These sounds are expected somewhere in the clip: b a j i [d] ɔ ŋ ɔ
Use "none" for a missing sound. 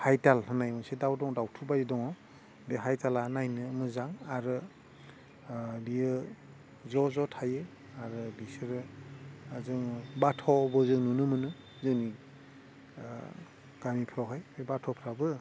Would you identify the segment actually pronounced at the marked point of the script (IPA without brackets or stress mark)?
d